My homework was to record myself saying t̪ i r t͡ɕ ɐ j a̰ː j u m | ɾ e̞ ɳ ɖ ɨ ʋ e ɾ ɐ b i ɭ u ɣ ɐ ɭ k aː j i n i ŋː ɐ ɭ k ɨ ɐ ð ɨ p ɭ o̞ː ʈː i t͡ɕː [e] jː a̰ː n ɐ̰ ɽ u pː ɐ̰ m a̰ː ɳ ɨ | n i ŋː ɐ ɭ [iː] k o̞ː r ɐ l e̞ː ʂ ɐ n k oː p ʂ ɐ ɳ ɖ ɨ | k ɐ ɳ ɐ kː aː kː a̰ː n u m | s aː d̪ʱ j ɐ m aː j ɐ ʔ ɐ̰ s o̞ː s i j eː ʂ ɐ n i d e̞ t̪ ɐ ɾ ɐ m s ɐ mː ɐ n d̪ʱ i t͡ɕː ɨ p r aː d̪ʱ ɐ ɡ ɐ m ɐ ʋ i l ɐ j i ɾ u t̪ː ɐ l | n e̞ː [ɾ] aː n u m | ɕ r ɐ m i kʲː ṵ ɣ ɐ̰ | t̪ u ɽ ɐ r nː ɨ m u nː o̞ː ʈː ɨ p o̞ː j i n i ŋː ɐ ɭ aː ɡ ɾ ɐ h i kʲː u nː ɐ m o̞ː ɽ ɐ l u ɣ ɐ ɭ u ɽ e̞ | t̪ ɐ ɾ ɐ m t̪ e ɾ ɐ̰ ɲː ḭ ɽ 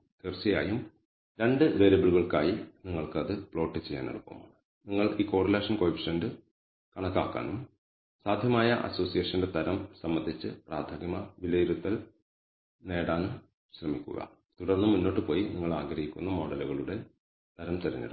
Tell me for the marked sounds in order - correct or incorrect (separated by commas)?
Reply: correct, correct, incorrect